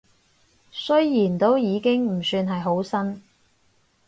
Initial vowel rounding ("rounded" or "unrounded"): rounded